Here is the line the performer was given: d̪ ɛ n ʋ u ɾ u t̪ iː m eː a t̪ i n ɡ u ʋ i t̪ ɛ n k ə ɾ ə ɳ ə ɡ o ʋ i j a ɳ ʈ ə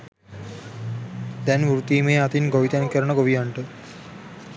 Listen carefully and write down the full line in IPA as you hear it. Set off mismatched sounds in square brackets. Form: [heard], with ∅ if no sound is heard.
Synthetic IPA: d̪ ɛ n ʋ u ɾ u t̪ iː m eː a t̪ i n ɡ [o] ʋ i t̪ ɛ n k ə ɾ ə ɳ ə ɡ o ʋ i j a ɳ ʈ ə